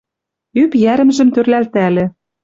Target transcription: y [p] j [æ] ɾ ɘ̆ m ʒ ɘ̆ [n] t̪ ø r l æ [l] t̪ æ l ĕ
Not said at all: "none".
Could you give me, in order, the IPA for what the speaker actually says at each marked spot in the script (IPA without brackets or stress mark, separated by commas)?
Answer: p, æ, m, l